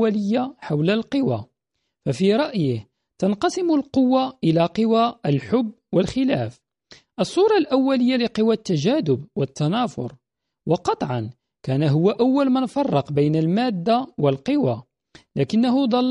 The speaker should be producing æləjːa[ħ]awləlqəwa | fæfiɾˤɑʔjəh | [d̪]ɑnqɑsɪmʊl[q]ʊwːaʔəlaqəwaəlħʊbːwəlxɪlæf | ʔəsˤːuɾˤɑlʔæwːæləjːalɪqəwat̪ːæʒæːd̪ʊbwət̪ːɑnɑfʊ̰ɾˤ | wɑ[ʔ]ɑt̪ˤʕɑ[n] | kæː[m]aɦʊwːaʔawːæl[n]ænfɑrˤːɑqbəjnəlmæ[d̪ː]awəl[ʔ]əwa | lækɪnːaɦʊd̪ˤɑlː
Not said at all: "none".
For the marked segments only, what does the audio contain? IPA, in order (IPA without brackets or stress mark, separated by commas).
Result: ħ, t̪, q, q, n, n, m, d̪ː, q